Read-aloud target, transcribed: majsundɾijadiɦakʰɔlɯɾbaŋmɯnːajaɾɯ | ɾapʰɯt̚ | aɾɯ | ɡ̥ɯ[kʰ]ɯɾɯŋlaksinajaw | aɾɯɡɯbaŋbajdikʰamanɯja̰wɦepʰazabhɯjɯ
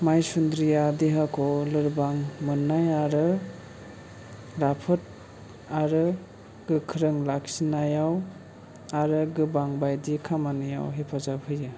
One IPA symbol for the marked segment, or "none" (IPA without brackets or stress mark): kʰ